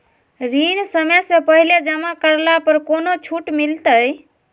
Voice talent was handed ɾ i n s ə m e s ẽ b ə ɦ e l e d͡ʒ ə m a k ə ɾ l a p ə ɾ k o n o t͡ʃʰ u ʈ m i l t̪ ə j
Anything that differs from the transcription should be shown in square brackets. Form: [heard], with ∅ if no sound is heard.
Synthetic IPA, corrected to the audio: ɾ i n s ə m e s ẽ [p] ə ɦ [i] l e d͡ʒ ə m a k ə ɾ l a p ə ɾ k o n o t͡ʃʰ u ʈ m i l t̪ ə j